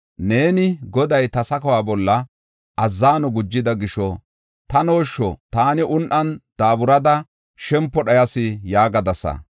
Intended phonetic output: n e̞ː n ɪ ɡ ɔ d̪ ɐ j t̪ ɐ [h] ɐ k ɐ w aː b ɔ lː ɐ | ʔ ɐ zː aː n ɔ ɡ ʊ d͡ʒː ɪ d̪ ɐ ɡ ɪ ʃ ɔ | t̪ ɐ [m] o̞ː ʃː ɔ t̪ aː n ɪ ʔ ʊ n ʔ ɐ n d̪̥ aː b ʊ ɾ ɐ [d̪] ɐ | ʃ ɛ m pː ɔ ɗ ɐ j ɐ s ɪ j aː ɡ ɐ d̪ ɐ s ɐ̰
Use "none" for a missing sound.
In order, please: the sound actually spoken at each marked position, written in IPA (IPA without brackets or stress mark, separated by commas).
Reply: s, n, d̪